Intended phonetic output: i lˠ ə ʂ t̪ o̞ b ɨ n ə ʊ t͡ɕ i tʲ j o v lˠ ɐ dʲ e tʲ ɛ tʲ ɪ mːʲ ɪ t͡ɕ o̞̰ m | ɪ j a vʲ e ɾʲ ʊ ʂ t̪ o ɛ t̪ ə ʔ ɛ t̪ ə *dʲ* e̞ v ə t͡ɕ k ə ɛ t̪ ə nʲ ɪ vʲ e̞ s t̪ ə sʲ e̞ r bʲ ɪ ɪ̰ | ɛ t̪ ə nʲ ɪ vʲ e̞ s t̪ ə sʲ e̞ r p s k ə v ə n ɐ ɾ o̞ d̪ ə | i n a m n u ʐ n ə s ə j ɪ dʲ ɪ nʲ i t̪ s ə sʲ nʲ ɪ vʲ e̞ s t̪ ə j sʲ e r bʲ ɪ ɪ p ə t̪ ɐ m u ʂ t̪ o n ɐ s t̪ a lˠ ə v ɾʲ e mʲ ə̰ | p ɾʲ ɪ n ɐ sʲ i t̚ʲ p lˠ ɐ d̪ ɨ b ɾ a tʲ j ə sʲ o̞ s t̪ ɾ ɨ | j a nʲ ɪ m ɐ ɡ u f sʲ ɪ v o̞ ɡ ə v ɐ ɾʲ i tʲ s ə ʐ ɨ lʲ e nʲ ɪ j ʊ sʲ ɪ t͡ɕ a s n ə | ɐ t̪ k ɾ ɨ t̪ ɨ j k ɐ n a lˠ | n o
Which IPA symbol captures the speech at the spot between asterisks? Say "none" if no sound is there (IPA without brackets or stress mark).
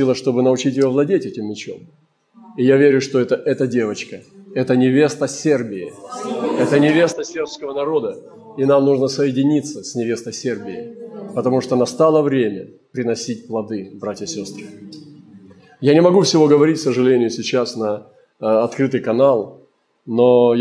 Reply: dʲ